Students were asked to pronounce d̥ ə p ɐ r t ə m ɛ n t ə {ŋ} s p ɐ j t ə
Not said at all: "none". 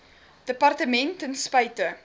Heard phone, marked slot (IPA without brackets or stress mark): n